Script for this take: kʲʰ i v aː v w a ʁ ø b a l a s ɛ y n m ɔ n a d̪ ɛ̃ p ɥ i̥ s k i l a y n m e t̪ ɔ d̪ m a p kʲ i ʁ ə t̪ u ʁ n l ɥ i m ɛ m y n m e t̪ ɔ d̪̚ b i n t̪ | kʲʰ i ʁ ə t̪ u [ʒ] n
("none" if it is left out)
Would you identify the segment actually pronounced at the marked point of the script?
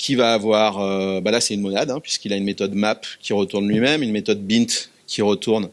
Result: ʁ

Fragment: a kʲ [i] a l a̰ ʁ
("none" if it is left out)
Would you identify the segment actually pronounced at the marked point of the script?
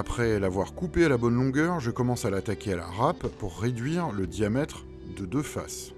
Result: e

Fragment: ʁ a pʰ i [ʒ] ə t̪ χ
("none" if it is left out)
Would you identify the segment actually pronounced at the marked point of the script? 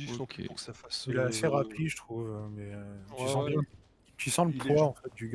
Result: ʒ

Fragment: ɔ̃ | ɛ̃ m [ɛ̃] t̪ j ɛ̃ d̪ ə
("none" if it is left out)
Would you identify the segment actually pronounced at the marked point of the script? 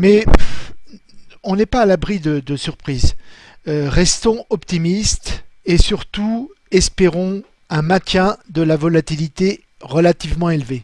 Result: ɛ̃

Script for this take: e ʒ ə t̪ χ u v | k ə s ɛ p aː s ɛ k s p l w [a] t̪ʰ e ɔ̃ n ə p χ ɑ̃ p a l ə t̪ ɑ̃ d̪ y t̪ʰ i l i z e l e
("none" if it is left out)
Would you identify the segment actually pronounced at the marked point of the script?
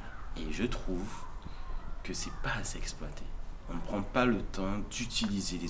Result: a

